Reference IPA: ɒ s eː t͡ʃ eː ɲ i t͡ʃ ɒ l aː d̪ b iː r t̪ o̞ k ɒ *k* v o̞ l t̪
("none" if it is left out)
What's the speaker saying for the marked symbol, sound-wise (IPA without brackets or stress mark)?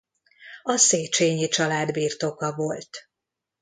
none